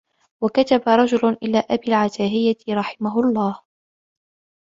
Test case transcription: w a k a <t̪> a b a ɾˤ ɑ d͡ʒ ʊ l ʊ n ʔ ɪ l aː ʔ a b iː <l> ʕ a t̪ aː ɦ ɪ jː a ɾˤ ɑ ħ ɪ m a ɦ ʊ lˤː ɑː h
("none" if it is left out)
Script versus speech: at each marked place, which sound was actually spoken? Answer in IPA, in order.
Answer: t̪, l

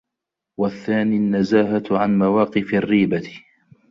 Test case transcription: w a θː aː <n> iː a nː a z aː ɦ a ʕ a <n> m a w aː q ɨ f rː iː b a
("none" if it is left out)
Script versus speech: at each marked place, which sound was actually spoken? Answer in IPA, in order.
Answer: n, n

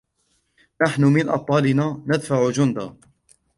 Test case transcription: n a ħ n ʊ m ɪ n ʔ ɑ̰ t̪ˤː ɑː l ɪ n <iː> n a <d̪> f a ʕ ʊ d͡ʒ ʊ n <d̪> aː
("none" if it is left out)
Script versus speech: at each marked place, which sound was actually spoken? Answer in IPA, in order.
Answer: aː, d̪, d̪

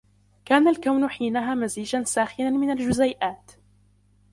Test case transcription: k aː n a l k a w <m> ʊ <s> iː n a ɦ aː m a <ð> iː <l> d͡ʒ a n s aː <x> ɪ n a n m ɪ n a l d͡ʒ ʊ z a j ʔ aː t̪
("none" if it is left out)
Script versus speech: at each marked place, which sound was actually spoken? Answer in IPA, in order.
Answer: n, ħ, z, none, x

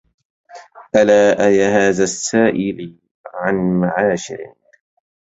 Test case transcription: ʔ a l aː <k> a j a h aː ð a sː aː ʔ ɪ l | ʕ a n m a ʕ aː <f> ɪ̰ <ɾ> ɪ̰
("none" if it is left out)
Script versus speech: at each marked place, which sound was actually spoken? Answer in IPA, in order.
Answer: ʔ, ʃ, ɾ

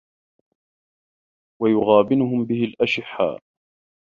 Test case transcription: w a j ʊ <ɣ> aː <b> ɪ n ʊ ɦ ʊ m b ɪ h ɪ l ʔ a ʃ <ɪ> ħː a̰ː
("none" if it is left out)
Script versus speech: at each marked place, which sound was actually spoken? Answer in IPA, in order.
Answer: ɣ, b, ɪ

